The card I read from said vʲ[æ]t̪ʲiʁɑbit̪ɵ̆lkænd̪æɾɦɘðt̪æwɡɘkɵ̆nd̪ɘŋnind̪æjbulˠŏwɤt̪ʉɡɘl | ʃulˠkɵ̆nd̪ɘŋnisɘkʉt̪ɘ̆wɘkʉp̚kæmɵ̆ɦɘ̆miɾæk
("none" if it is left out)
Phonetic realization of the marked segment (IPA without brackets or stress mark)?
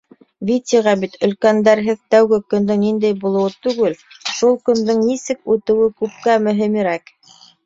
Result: i